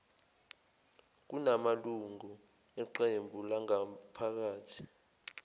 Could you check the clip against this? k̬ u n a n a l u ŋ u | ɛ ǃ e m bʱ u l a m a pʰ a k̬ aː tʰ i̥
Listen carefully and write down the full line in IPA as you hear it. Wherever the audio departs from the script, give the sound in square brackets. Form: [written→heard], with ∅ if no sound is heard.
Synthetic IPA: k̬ u n a [n→m] a l u ŋ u | ɛ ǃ e m bʱ u l a [m→ŋ] a pʰ a k̬ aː tʰ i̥